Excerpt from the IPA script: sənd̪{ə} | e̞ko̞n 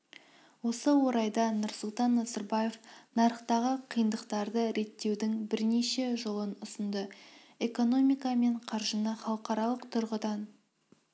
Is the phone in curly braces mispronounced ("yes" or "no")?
no